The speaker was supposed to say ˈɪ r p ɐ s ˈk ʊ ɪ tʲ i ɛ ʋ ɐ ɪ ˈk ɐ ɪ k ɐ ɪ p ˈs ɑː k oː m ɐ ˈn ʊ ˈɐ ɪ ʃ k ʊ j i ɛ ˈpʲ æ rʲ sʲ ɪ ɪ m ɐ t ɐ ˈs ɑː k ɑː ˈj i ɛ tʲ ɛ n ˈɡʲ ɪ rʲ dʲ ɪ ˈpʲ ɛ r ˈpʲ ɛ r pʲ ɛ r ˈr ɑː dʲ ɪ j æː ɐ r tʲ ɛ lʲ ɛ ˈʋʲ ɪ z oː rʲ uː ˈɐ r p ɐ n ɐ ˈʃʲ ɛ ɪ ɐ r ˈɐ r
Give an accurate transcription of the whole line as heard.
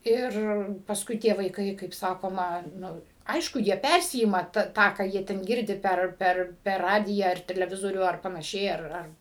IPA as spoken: ˈɪ r p ɐ s ˈk ʊ ɪ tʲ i ɛ ʋ ɐ ɪ ˈk ɐ ɪ k ɐ ɪ p ˈs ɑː k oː m ɐ ˈn ʊ ˈɐ ɪ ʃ k ʊ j i ɛ ˈpʲ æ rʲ sʲ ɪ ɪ m ɐ t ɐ ˈt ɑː k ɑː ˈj i ɛ tʲ ɛ n ˈɡʲ ɪ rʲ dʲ ɪ ˈpʲ ɛ r ˈpʲ ɛ r pʲ ɛ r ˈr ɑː dʲ ɪ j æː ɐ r tʲ ɛ lʲ ɛ ˈʋʲ ɪ z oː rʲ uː ˈɐ r p ɐ n ɐ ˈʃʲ ɛ ɪ ɐ r ˈɐ r